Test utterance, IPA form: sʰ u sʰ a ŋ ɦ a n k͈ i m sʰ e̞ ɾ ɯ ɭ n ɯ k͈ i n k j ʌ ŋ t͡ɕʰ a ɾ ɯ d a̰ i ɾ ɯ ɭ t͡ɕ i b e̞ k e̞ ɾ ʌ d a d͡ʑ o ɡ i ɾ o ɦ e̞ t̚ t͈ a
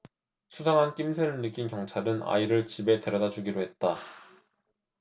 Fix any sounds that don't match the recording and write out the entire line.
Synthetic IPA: sʰ u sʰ a ŋ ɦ a n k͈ i m sʰ e̞ ɾ ɯ ɭ n ɯ k͈ i n k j ʌ ŋ t͡ɕʰ a ɾ ɯ n a̰ i ɾ ɯ ɭ t͡ɕ i b e̞ t e̞ ɾ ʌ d a d͡ʑ u ɡ i ɾ o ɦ e̞ t̚ t͈ a

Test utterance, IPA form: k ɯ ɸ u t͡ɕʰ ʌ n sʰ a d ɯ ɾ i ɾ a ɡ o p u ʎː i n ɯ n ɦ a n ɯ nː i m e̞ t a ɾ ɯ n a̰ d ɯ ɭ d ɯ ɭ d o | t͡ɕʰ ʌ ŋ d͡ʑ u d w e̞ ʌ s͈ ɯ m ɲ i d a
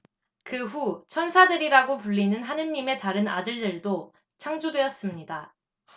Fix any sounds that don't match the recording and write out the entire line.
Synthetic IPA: k ɯ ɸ u t͡ɕʰ ʌ n sʰ a d ɯ ɾ i ɾ a ɡ o p u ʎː i n ɯ n ɦ a n ɯ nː i m e̞ t a ɾ ɯ n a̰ d ɯ ɭ d ɯ ɭ d o | t͡ɕʰ a ŋ d͡ʑ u d w e̞ ʌ s͈ ɯ m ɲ i d a

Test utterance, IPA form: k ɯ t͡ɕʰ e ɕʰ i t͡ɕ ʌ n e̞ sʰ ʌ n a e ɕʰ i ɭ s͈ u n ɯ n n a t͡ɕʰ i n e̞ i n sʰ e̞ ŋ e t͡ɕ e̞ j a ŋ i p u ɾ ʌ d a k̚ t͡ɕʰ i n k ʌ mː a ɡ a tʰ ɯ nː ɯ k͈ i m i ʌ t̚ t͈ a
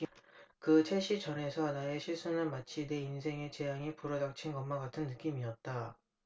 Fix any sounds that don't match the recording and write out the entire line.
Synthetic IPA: k ɯ t͡ɕʰ e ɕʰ i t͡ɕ ʌ n e̞ sʰ ʌ n a e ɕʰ i ɭ s͈ u n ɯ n m a t͡ɕʰ i n e̞ i n sʰ e̞ ŋ e t͡ɕ e̞ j a ŋ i p u ɾ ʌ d a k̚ t͡ɕʰ i n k ʌ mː a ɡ a tʰ ɯ nː ɯ k͈ i m i ʌ t̚ t͈ a

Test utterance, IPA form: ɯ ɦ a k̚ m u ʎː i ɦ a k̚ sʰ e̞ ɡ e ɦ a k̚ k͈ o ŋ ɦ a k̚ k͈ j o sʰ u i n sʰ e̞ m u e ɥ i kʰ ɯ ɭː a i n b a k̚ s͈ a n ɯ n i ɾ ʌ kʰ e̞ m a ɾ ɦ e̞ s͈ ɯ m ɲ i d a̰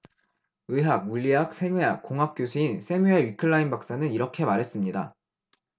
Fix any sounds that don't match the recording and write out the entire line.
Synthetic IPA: ɯ ɦ a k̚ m u ʎː i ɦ a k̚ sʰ e̞ ŋ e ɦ a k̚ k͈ o ŋ ɦ a k̚ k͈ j o sʰ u i n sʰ e̞ m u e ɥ i kʰ ɯ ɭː a i n b a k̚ s͈ a n ɯ n i ɾ ʌ kʰ e̞ m a ɾ ɦ e̞ s͈ ɯ m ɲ i d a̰

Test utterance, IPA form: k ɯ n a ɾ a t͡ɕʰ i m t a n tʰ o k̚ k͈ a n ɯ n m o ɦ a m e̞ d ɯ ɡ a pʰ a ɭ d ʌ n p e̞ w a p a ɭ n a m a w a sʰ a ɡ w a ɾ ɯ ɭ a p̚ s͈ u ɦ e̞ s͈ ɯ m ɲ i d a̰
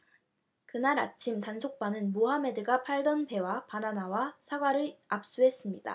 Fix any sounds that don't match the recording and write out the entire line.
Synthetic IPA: k ɯ n a ɾ a t͡ɕʰ i m t a n sʰ o k̚ p͈ a n ɯ n m o ɦ a m e̞ d ɯ ɡ a pʰ a ɭ d ʌ n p e̞ w a p a n a n a w a sʰ a ɡ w a ɾ ɯ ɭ a p̚ s͈ u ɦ e̞ s͈ ɯ m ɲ i d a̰

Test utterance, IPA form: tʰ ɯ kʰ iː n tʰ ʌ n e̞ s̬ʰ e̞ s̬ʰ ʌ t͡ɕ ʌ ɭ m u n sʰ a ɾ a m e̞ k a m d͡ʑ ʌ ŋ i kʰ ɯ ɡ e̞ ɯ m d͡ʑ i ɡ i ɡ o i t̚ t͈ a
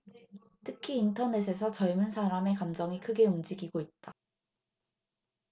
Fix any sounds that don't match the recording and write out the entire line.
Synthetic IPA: tʰ ɯ kʰ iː n tʰ ʌ n e̞ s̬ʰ e̞ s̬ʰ ʌ t͡ɕ ʌ ɭ m u n sʰ a ɾ a m e̞ k a m d͡ʑ ʌ ŋ i kʰ ɯ ɡ e̞ u m d͡ʑ i ɡ i ɡ o i t̚ t͈ a

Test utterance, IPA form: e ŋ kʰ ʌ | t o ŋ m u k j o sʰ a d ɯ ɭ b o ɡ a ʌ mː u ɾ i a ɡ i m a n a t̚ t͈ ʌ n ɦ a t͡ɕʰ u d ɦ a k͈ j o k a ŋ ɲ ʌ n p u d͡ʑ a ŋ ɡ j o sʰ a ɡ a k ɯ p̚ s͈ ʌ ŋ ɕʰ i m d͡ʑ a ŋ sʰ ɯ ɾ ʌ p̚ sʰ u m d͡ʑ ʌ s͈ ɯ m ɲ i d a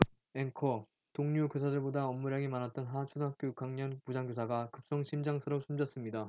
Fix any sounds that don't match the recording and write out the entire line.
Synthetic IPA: e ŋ kʰ ʌ | t o ŋ ɲ u k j o sʰ a d ɯ ɭ b o d a ʌ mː u ɾ j a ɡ i m a n a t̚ t͈ ʌ n ɦ a t͡ɕʰ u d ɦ a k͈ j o k a ŋ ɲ ʌ n p u d͡ʑ a ŋ ɡ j o sʰ a ɡ a k ɯ p̚ s͈ ʌ ŋ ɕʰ i m d͡ʑ a ŋ sʰ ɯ ɾ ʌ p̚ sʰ u m d͡ʑ ʌ s͈ ɯ m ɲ i d a

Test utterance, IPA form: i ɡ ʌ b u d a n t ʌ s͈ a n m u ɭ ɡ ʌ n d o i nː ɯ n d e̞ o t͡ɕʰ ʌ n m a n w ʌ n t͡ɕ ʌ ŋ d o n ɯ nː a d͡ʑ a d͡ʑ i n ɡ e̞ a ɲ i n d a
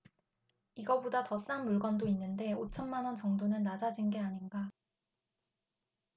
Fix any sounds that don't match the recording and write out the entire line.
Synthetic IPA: i ɡ ʌ b o d a t ʌ s͈ a n m u ɭ ɡ ʌ n d o i nː ɯ n d e̞ o t͡ɕʰ ʌ n m a n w ʌ n t͡ɕ ʌ ŋ d o n ɯ nː a d͡ʑ a d͡ʑ i n ɡ e̞ a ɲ i n ɡ a

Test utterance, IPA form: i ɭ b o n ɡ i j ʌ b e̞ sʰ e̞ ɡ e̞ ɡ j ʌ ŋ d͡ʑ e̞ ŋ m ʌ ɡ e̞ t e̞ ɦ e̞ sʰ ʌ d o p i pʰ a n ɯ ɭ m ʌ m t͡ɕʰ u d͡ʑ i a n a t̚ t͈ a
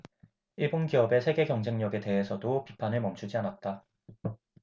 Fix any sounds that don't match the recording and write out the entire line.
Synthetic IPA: i ɭ b o n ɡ i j ʌ b e̞ sʰ e̞ ɡ e̞ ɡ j ʌ ŋ d͡ʑ e̞ ŋ ɲ ʌ ɡ e̞ t e̞ ɦ e̞ sʰ ʌ d o p i pʰ a n ɯ ɭ m ʌ m t͡ɕʰ u d͡ʑ i a n a t̚ t͈ a

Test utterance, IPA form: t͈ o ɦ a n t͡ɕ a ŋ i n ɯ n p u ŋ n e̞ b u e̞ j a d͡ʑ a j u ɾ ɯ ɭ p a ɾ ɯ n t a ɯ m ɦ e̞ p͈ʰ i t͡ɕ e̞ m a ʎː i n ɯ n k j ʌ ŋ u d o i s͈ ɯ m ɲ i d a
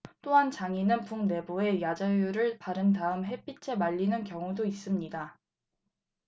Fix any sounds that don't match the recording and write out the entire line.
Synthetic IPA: t͈ o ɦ a n t͡ɕ a ŋ i n ɯ n p u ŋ n e̞ b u e̞ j a d͡ʑ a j u ɾ ɯ ɭ p a ɾ ɯ n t a ɯ m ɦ e̞ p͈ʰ i t͡ɕʰ e̞ m a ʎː i n ɯ n k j ʌ ŋ u d o i s͈ ɯ m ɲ i d a

